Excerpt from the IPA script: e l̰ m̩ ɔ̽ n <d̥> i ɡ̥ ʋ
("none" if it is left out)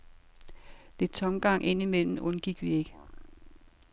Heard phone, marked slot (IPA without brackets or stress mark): ɡ̥